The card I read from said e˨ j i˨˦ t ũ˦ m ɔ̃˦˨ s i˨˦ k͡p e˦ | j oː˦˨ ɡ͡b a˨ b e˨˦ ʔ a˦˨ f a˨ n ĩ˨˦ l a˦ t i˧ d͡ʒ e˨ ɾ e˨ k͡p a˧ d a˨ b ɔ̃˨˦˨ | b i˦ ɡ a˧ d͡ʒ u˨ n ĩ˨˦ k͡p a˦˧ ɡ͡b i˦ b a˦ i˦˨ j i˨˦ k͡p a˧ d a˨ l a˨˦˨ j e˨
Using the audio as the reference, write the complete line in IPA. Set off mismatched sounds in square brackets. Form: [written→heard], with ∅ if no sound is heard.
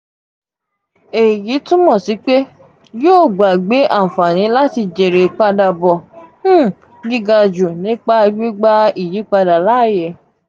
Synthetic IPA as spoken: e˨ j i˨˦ t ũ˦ m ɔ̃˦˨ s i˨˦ k͡p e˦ | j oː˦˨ ɡ͡b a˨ [b→ɡ͡b] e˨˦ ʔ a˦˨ f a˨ n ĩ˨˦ l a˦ t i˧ d͡ʒ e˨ ɾ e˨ k͡p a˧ d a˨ b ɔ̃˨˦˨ | [b→ɡ] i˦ ɡ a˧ d͡ʒ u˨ n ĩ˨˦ k͡p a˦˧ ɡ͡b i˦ [b→ɡ͡b] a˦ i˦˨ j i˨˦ k͡p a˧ d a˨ l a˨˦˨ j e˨